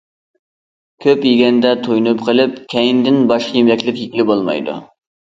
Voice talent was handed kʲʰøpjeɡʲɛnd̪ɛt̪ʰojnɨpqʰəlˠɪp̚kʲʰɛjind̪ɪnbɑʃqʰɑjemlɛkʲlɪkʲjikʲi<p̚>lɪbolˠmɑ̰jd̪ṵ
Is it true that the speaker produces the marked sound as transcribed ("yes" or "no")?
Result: no